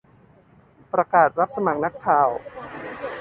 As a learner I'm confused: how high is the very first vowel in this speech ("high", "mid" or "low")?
low